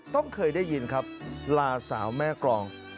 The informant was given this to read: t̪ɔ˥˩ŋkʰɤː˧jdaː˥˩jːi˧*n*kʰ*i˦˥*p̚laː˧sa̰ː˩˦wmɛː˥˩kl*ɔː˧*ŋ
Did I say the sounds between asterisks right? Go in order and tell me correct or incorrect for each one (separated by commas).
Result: correct, incorrect, correct